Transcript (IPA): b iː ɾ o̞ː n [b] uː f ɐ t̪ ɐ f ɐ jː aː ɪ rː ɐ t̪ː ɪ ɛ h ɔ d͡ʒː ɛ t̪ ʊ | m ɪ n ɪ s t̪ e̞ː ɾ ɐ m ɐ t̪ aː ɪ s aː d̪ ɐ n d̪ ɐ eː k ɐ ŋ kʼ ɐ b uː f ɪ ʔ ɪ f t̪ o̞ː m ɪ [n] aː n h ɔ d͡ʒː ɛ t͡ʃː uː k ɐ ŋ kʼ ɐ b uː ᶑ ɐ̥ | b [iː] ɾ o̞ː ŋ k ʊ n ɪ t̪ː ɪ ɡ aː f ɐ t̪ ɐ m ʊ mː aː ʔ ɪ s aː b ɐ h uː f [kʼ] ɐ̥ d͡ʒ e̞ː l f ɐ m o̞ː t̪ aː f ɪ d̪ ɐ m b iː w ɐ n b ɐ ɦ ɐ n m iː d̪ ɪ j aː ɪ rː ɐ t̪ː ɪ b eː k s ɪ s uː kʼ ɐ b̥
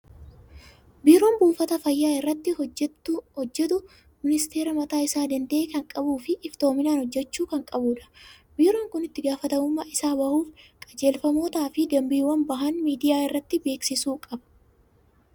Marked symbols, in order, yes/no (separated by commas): yes, yes, yes, yes